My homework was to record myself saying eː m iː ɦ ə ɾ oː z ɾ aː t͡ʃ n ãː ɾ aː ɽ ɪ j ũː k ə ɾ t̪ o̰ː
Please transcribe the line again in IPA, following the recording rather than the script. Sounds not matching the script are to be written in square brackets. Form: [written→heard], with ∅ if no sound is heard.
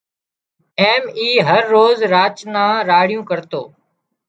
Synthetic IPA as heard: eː m iː ɦ ə [ɾ→ɾː] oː z ɾ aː t͡ʃ n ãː ɾ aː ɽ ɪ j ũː k ə ɾ t̪ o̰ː

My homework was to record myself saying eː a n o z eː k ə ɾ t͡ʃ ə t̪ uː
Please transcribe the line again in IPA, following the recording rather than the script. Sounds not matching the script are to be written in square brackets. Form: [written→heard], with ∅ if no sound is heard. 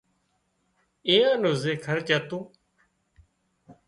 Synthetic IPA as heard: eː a n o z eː [k→kʰ] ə ɾ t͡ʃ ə t̪ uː

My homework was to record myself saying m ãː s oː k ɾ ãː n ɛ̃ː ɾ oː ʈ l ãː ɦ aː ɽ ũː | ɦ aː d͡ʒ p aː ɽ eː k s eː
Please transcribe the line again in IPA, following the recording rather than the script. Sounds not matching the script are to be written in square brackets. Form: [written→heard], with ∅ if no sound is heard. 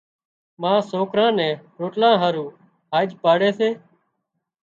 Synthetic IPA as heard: m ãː s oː k ɾ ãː n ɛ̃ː ɾ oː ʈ l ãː ɦ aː [ɽ→ɾ] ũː | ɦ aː d͡ʒ p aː ɽ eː [k→∅] s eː

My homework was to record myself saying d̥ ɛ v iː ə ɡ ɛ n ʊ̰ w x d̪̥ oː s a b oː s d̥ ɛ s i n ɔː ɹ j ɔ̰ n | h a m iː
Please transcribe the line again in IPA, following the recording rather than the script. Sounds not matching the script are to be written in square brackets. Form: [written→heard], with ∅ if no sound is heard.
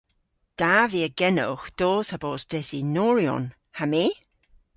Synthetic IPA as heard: d̥ [ɛ→a] v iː ə ɡ ɛ n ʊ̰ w x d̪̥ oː s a b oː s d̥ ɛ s i n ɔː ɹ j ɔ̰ n | h a m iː

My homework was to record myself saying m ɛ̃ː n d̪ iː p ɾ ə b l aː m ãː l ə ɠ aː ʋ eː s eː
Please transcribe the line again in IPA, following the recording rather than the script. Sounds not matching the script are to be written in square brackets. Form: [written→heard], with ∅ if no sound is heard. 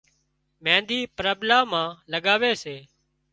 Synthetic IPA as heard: m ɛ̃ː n d̪ iː p ɾ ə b l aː m ãː l ə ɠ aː ʋ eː s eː

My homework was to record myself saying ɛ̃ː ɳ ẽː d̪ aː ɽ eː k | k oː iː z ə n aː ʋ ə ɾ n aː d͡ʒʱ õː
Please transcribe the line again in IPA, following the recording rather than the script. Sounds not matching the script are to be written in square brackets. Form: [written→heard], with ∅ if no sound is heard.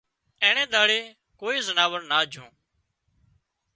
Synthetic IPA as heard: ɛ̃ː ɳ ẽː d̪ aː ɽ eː [k→∅] | k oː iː z ə n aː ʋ ə ɾ n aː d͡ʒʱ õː

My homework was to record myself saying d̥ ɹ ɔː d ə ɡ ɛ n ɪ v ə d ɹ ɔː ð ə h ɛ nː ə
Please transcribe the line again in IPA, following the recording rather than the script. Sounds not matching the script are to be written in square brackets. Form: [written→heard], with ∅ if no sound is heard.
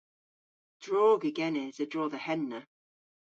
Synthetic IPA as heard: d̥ ɹ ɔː [d→ɡ] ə ɡ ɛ n ɪ [v→z] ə d ɹ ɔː ð ə h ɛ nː ə

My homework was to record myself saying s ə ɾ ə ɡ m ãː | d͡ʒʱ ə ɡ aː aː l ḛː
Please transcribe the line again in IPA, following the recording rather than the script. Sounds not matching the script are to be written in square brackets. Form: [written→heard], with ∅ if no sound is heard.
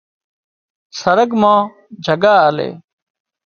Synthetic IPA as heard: s ə ɾ ə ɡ m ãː | d͡ʒʱ ə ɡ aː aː l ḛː

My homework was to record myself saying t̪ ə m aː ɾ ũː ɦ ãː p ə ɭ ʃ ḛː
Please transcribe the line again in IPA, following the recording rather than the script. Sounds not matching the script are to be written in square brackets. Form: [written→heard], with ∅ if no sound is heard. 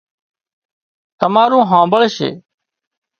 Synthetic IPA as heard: t̪ ə m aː ɾ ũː ɦ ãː [p→b] ə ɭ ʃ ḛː

